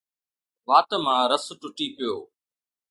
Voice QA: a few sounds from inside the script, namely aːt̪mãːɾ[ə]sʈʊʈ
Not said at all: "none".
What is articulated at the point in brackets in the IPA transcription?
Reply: ə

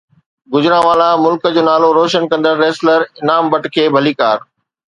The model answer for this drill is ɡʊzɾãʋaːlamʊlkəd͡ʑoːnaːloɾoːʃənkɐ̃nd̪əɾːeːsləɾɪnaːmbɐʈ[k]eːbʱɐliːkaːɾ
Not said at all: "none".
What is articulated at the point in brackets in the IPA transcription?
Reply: kʰ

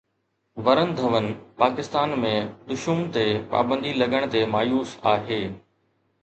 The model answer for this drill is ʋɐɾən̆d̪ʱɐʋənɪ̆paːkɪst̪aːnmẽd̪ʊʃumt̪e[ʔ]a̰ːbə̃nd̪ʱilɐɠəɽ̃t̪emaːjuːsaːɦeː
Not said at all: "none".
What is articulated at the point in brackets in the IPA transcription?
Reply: p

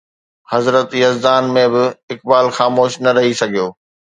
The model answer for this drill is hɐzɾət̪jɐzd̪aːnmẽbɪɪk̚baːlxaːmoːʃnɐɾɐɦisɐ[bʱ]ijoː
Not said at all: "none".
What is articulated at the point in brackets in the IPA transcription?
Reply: ɡʱ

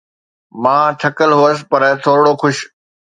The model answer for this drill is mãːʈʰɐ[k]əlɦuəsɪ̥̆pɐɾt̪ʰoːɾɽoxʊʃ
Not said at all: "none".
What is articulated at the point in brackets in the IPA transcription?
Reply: k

